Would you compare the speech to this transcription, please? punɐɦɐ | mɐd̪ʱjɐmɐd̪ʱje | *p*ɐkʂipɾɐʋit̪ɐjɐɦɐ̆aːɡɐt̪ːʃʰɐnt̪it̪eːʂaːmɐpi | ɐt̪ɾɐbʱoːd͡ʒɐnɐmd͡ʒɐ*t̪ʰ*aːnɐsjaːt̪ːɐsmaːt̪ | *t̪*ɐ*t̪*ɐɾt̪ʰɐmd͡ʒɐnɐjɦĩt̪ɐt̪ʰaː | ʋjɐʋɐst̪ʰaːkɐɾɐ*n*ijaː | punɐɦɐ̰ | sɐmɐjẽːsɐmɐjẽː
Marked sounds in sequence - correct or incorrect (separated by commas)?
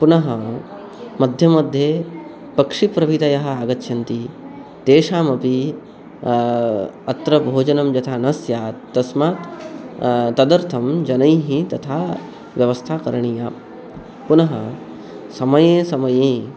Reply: correct, correct, correct, incorrect, incorrect